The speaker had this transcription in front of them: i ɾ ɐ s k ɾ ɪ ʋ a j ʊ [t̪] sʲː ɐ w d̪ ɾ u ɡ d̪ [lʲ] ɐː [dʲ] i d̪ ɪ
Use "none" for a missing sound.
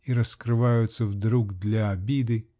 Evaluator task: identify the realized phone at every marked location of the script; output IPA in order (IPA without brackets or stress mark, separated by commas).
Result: t̪, lʲ, bʲ